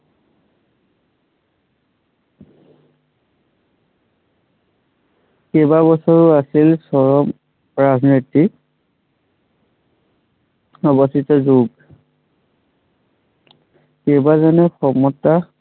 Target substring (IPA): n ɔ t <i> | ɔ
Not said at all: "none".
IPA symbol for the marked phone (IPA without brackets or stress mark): i